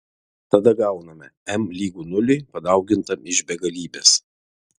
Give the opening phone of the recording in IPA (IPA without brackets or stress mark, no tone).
t̪